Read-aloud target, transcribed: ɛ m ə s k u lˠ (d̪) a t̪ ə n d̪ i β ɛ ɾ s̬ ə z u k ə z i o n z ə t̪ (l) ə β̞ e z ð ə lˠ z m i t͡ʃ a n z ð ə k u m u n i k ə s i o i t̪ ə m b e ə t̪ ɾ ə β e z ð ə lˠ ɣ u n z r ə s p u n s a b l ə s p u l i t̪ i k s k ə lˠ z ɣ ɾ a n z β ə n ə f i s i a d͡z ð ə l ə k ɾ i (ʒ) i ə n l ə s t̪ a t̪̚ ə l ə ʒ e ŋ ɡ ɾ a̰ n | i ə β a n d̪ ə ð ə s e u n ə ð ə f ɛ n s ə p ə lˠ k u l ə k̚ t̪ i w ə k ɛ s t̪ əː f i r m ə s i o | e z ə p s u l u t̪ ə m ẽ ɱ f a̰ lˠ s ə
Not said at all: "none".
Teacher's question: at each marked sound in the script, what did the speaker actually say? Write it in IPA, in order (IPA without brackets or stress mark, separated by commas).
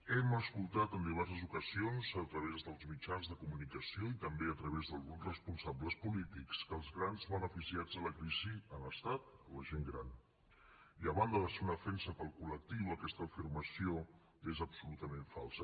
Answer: t̪, ɾ, z